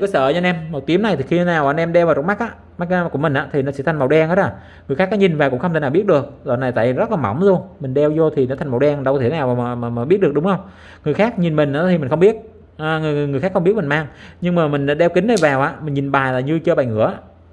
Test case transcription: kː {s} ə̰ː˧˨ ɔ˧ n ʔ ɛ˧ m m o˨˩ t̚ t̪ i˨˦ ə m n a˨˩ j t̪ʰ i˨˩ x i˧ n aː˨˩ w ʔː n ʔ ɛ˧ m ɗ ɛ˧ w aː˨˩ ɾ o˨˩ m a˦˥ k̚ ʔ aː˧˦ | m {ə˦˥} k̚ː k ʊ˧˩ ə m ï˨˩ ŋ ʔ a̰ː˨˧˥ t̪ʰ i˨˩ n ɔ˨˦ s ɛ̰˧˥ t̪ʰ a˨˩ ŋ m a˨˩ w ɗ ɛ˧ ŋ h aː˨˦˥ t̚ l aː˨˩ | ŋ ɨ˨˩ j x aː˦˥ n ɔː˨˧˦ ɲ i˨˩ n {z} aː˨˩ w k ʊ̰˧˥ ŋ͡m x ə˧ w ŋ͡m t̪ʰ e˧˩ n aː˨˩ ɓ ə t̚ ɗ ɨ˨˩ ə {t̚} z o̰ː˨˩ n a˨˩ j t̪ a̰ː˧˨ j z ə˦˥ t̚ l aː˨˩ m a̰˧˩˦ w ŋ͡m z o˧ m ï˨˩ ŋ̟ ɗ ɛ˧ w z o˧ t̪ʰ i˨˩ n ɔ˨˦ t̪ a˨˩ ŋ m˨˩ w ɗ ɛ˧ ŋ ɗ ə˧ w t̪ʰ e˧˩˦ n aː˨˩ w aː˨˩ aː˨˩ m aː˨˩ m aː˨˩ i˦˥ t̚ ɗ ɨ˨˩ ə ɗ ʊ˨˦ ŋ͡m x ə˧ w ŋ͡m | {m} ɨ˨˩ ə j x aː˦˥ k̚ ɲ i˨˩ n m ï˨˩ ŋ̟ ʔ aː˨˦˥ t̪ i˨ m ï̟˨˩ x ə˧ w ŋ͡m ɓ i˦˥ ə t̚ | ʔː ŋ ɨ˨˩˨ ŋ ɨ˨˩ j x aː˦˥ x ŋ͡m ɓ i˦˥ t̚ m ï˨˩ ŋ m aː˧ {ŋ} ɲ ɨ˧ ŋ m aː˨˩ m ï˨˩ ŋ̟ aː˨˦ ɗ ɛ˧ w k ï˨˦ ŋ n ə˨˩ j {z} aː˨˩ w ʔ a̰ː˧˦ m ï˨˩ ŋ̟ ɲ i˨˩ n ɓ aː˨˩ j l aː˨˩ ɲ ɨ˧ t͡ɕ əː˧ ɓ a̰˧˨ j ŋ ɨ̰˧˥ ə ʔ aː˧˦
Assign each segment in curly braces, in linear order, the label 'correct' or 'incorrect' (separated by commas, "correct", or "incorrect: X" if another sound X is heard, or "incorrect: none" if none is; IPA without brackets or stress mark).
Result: correct, incorrect: a˦˥, incorrect: v, incorrect: k̚, incorrect: ŋ, correct, incorrect: v